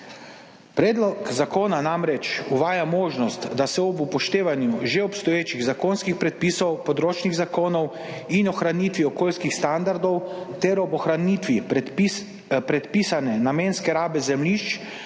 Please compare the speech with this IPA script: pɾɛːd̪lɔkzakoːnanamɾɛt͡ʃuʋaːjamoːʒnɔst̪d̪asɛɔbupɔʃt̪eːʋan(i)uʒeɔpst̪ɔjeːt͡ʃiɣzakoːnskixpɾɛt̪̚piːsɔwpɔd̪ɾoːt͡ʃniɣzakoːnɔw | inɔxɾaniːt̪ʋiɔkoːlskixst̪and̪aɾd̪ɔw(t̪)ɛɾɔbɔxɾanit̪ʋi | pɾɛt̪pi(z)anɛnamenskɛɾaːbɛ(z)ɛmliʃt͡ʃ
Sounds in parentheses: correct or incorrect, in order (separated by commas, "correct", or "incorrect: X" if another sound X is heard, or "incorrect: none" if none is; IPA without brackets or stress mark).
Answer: incorrect: j, correct, incorrect: s, correct